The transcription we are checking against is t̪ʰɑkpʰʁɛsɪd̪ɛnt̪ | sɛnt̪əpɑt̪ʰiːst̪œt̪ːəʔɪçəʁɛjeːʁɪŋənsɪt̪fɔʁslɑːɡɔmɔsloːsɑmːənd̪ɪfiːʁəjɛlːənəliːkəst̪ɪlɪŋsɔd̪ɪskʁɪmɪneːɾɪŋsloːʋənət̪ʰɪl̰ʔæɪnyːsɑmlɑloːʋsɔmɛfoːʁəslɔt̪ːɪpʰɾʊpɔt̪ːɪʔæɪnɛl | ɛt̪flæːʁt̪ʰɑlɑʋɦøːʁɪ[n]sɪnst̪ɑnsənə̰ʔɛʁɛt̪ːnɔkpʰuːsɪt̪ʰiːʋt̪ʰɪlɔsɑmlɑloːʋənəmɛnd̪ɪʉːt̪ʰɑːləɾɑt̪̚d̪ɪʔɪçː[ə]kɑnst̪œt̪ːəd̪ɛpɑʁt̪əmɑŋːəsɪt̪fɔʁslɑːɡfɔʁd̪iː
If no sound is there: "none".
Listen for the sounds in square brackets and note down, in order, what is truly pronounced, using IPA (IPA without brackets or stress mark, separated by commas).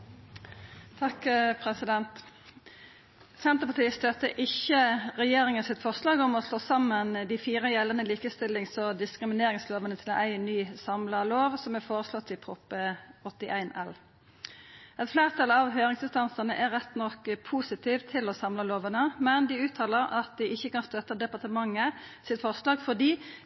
ŋ, ə